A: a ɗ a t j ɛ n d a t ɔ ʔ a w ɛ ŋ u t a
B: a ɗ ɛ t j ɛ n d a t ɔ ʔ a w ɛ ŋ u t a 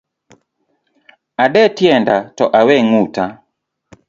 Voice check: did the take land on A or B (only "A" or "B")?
B